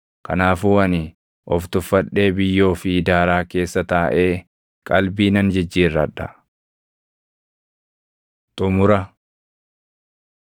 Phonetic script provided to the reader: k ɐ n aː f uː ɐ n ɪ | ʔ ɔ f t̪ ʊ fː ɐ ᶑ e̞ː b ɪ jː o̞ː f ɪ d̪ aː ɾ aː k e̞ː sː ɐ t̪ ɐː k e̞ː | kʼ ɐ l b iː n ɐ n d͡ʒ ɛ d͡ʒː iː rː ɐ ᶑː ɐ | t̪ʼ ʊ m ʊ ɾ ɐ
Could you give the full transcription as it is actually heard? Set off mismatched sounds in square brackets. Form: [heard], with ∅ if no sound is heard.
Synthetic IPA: k ɐ n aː f uː ɐ n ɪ | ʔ ɔ f t̪ ʊ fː ɐ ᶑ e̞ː b ɪ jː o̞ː f ɪ d̪ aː ɾ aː k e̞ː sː ɐ t̪ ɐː [ʔ] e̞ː | kʼ ɐ l b iː n ɐ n d͡ʒ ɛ d͡ʒː iː rː ɐ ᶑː ɐ | t̪ʼ ʊ m ʊ ɾ ɐ

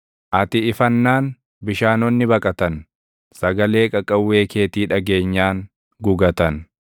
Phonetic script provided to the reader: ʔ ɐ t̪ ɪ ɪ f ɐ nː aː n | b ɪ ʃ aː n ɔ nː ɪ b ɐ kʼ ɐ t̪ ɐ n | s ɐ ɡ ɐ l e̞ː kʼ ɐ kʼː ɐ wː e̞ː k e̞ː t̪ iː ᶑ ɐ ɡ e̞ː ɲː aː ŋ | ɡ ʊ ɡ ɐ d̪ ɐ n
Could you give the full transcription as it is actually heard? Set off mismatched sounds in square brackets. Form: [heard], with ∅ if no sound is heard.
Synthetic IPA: ʔ ɐ t̪ ɪ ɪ f ɐ nː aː n | b ɪ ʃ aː n ɔ nː ɪ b ɐ kʼ ɐ t̪ ɐ n | s ɐ ɡ ɐ l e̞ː kʼ ɐ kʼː ɐ wː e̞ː k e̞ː t̪ iː ᶑ ɐ ɡ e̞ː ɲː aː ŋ | ɡ ʊ ɡ ɐ [t̪] ɐ n

